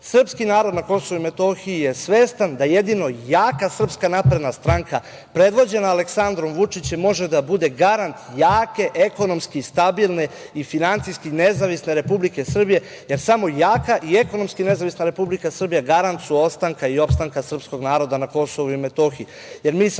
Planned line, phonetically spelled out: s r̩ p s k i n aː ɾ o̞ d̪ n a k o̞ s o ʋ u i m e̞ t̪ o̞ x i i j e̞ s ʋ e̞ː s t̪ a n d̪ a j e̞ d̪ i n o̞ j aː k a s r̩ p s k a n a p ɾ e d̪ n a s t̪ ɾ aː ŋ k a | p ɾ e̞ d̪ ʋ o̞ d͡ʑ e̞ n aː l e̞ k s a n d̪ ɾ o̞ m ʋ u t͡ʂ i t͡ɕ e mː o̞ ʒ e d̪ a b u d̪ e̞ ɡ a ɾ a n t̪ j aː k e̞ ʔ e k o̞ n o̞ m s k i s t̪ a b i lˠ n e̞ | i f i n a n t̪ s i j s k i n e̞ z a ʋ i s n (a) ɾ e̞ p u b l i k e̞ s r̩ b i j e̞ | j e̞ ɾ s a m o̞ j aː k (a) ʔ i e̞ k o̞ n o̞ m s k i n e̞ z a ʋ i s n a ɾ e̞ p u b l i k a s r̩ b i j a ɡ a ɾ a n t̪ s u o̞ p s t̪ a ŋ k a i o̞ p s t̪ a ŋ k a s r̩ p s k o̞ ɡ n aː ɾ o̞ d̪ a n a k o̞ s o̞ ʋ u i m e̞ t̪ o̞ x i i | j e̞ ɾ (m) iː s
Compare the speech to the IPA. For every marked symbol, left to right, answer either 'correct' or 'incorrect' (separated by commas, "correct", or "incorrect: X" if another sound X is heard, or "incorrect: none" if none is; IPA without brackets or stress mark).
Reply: incorrect: e, correct, correct